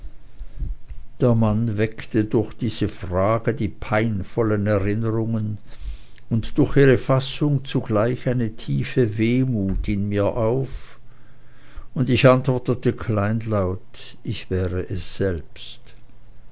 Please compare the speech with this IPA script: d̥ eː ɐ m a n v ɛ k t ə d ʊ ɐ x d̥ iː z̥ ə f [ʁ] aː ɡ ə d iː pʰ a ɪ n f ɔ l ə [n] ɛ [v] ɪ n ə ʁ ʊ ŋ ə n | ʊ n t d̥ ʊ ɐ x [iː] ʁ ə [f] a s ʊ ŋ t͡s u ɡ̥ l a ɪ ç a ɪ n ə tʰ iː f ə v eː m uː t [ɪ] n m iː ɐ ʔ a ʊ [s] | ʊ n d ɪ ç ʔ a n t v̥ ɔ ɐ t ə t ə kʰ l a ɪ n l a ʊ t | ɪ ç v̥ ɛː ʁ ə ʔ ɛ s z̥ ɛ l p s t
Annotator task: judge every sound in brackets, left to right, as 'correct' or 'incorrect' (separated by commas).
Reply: correct, correct, incorrect, correct, correct, correct, incorrect